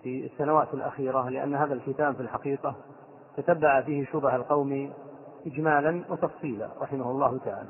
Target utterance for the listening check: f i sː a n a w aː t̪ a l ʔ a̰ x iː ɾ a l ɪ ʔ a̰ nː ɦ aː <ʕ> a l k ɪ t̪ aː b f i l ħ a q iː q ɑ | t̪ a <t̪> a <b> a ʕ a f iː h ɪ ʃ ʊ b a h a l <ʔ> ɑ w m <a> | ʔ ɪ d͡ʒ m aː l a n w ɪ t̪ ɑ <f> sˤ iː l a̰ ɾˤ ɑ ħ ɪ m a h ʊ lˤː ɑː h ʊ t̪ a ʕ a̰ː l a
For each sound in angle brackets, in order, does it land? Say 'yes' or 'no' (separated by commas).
no, yes, no, no, no, yes